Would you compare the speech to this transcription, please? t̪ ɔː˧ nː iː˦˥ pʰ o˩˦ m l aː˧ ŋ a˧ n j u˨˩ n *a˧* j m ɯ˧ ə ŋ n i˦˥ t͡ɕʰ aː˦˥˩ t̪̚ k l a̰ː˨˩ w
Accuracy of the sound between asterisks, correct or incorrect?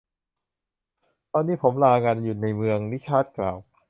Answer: correct